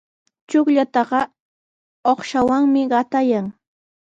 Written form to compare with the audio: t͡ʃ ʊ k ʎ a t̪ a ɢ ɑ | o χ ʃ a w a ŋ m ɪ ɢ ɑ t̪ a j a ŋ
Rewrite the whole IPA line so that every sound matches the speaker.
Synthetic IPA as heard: t͡ʃ ʊ k ʎ a t̪ ɑ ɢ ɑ | o χ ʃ a w a ŋ m ɪ ɢ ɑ t̪ a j a ŋ